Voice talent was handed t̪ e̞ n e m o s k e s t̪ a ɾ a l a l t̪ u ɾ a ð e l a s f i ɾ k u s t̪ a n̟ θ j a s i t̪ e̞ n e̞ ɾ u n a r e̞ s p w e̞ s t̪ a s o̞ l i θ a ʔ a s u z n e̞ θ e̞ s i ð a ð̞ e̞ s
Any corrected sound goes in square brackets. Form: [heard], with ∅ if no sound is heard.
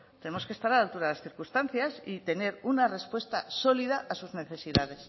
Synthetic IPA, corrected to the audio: t̪ e̞ n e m o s k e s t̪ a ɾ a l a l t̪ u ɾ a ð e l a s [θ] i ɾ k u s t̪ a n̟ θ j a s i t̪ e̞ n e̞ ɾ u n a r e̞ s p w e̞ s t̪ a s o̞ l i [ð] a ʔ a s u z n e̞ θ e̞ s i ð a ð̞ e̞ s